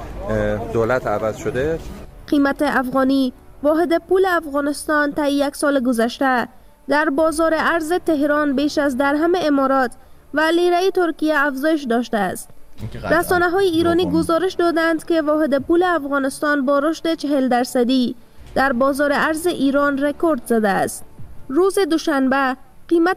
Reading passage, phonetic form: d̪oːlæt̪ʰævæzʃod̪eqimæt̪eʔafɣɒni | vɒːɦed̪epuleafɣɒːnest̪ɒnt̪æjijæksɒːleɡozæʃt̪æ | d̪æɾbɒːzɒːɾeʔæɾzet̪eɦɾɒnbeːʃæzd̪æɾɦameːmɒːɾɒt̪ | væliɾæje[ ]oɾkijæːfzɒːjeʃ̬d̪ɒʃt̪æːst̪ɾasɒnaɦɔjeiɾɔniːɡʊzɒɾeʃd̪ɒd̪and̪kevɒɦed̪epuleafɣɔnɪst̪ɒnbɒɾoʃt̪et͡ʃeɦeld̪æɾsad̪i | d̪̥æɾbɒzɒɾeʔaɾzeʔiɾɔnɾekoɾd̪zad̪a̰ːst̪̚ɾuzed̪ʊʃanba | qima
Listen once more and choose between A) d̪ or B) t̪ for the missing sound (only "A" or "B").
B